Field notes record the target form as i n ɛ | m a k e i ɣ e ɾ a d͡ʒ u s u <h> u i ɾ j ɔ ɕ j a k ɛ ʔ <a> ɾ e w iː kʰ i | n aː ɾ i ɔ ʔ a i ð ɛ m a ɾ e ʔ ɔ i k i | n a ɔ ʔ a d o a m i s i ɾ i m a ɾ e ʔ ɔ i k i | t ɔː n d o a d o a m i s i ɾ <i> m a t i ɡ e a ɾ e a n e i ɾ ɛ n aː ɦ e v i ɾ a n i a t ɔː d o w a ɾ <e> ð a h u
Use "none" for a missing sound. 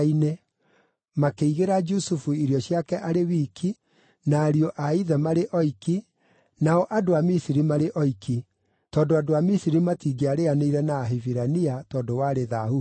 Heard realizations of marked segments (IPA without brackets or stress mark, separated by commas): f, a, i, e